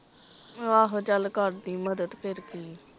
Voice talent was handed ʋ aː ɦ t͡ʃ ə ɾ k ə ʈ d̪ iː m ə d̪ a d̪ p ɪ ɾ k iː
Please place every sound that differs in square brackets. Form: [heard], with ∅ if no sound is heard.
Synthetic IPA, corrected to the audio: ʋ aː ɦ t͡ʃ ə [l] k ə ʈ d̪ iː m ə d̪ [ə] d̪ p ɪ ɾ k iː